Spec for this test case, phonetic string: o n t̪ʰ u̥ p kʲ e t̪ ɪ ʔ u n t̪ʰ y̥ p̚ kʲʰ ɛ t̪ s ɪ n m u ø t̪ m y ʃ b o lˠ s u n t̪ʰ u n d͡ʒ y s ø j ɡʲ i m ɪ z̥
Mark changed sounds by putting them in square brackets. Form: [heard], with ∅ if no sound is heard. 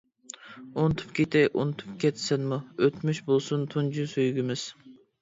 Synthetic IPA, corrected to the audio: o n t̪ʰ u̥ p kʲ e t̪ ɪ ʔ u n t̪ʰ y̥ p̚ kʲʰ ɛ t̪ s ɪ n m u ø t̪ m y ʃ b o lˠ s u n t̪ʰ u n d͡ʒ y s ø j ɡʲ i m ɪ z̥